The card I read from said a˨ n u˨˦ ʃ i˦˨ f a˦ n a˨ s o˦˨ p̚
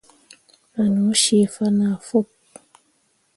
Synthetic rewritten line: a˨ n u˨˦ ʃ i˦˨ f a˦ n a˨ f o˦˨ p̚